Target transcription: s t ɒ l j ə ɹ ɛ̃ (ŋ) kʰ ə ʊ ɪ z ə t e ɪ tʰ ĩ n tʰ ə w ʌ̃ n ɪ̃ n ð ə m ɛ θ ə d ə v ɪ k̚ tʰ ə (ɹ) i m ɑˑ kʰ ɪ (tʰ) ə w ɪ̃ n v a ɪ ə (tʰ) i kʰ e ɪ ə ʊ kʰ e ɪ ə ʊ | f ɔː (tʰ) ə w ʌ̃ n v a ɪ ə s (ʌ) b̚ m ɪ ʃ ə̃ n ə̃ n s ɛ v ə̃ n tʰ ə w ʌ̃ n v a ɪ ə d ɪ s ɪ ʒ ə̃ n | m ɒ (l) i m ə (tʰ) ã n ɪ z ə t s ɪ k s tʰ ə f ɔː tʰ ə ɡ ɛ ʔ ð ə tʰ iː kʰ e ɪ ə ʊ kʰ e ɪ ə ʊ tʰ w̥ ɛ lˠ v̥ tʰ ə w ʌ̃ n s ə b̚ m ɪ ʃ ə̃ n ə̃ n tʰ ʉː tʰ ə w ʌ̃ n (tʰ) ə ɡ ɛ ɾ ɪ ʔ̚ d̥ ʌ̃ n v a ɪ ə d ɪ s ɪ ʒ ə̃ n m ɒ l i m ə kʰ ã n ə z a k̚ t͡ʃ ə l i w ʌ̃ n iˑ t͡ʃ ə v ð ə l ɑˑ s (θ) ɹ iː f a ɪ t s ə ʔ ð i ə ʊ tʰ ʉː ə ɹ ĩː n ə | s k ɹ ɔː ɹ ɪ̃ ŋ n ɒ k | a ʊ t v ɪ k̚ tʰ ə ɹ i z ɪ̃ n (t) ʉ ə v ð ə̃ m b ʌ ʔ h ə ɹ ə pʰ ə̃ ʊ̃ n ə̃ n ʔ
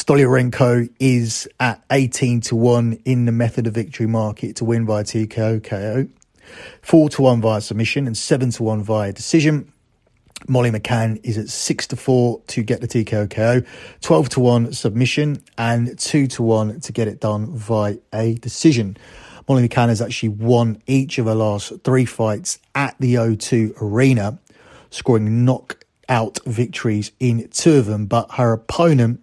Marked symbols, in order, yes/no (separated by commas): yes, yes, yes, yes, yes, no, yes, no, yes, yes, no